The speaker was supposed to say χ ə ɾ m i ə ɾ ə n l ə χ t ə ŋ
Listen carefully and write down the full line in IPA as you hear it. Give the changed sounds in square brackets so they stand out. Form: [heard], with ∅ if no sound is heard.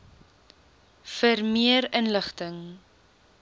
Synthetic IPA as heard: [f] ə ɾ m i ə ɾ ə n l ə χ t ə ŋ